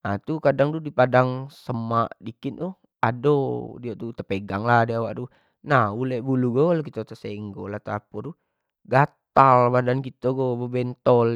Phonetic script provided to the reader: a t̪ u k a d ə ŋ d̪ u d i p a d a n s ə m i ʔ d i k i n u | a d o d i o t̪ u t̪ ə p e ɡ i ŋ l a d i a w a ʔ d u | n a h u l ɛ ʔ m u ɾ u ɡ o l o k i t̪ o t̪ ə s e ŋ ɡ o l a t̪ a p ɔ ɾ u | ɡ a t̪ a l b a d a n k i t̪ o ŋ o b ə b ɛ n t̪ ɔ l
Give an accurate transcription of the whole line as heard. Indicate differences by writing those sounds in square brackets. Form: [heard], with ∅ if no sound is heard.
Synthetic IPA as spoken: a t̪ u k a d [a] ŋ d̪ u d i p a d a [ŋ] s ə m [a] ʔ d i k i n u | a d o d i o t̪ u t̪ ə p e ɡ [a] ŋ l a d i a w a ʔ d u | n a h u l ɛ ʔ [b] u [l] u ɡ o l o k i t̪ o t̪ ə s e ŋ ɡ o l a t̪ a p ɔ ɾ u | ɡ a t̪ a l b a d a n k i t̪ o [ɡ] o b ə b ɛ n t̪ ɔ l